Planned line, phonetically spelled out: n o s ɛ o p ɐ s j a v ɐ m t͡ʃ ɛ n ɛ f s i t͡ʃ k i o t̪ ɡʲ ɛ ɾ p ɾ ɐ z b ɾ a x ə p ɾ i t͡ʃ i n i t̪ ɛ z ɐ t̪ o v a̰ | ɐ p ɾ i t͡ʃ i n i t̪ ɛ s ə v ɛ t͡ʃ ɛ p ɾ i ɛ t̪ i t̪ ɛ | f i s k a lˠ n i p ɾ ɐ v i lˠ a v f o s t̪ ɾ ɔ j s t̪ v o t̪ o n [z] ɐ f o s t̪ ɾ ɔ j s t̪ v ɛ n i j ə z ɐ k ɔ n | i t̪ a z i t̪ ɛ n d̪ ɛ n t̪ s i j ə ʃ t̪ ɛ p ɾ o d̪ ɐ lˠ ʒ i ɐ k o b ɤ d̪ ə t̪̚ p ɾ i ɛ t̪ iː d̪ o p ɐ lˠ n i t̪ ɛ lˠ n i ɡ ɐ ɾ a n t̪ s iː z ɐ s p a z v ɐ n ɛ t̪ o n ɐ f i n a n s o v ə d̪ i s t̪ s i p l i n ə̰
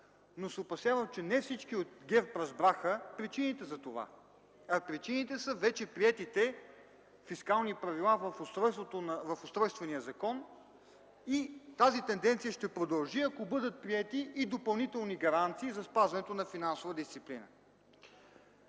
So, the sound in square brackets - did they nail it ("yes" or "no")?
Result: no